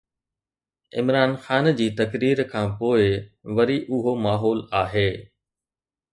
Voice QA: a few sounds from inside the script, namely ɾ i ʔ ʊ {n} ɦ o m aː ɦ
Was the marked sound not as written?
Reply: yes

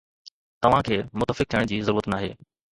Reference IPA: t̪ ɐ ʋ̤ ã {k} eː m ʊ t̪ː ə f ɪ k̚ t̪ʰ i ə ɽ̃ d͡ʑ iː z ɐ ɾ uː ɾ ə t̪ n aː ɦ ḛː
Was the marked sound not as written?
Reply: yes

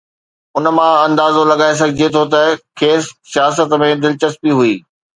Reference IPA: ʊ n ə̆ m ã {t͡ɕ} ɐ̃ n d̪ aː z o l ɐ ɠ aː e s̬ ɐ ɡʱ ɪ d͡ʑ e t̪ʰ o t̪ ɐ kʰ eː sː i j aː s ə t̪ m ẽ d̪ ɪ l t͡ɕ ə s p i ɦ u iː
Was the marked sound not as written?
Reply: yes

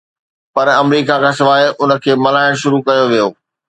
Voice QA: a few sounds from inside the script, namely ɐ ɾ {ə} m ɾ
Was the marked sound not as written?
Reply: yes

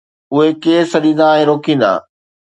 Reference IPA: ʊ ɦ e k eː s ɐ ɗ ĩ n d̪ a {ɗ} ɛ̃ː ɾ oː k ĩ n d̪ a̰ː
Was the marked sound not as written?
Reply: yes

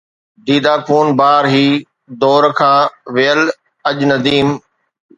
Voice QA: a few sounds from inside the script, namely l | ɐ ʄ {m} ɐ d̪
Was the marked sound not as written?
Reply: yes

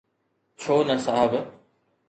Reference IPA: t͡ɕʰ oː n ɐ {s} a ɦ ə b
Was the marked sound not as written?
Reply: no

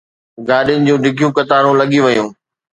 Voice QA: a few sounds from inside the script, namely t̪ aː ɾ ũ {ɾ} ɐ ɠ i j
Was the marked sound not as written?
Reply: yes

